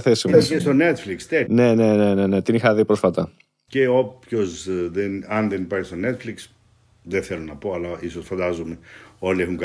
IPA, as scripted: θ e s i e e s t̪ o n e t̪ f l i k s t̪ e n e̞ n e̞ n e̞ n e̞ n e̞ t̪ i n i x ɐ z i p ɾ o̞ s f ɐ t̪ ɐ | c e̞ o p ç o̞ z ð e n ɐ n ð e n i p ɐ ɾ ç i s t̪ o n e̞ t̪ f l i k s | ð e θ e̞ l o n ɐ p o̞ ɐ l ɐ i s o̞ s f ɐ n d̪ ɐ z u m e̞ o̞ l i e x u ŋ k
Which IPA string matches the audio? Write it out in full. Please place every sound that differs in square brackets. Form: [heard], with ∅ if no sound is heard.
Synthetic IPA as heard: θ e s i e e s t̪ o n e t̪ f l i k s t̪ e n e̞ n e̞ n e̞ n e̞ n e̞ t̪ i n i x ɐ [ð] i p ɾ o̞ s f ɐ t̪ ɐ | c e̞ o p ç o̞ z ð e n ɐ n ð e n i p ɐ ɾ ç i s t̪ o n e̞ t̪ f l i k s | ð e θ e̞ l o n ɐ p o̞ ɐ l ɐ i s o̞ s f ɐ n d̪ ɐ z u m e̞ o̞ l i e x u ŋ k